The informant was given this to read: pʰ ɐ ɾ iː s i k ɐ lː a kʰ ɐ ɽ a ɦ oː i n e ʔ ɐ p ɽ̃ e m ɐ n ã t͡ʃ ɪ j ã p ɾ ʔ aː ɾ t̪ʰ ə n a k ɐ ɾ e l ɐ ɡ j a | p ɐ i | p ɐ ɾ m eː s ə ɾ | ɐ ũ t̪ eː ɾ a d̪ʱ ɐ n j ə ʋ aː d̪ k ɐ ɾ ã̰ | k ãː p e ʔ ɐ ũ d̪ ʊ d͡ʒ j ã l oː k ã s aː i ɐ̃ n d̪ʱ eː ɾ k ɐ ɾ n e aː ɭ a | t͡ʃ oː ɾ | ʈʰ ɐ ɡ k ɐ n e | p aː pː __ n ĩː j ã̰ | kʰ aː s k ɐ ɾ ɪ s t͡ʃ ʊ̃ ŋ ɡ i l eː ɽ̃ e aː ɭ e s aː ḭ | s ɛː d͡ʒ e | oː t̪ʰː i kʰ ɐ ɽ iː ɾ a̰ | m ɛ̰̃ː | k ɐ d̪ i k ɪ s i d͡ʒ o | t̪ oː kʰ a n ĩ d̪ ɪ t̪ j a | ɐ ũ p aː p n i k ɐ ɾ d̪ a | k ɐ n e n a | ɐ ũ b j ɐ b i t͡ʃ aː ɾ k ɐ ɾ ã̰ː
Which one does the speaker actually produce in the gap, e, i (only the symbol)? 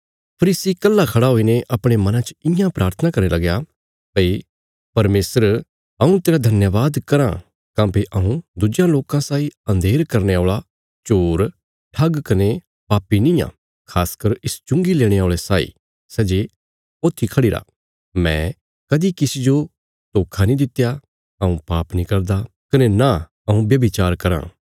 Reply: i